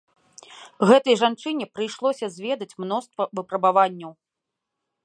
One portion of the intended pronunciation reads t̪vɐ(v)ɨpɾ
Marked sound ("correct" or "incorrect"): correct